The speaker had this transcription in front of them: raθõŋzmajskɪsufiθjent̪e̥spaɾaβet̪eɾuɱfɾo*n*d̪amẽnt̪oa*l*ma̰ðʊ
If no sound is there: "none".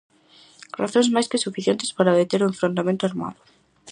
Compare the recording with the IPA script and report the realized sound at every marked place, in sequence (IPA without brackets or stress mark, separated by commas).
n, ɾ